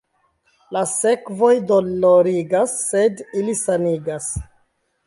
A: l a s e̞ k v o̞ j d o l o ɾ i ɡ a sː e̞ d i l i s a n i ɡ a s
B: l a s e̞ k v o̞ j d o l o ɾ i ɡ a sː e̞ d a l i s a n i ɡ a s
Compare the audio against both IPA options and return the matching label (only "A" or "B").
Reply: A